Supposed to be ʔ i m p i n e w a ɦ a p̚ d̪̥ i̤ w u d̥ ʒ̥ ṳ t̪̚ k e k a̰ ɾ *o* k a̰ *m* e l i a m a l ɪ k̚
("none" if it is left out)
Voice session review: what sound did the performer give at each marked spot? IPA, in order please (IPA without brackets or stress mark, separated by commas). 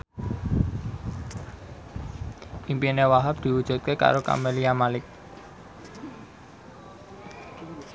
o, m